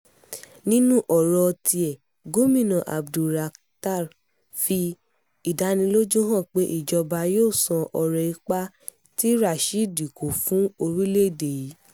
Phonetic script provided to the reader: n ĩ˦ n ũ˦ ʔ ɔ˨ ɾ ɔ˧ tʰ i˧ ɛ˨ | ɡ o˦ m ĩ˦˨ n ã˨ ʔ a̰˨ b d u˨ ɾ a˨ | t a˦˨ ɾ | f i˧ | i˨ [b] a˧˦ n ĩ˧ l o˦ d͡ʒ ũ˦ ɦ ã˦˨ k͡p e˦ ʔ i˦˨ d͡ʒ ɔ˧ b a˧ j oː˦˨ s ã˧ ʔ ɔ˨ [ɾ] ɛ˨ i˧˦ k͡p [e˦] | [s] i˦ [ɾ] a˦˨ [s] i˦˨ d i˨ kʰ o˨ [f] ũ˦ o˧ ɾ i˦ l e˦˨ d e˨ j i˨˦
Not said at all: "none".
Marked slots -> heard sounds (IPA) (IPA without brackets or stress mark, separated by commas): d, ɾ, a˦, t, ɾ, ʃ, f